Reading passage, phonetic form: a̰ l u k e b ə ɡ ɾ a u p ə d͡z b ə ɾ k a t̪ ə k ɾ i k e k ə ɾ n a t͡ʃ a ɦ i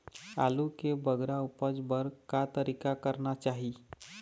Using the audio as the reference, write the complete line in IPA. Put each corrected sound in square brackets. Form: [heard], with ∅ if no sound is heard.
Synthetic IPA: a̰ l u k e b ə ɡ ɾ a u p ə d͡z b ə ɾ k a t̪ ə [∅] ɾ i k [a] k ə ɾ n a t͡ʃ a ɦ i